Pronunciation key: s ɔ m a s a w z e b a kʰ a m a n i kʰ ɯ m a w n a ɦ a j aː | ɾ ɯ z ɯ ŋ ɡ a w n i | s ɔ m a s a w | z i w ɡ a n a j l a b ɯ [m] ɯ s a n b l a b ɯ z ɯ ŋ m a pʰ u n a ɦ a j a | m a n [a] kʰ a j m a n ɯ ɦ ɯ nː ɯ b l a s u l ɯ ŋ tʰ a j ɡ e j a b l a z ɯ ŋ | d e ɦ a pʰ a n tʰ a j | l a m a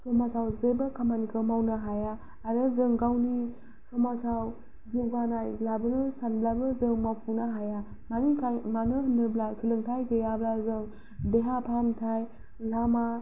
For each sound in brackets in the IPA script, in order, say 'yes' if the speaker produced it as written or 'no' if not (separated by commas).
no, no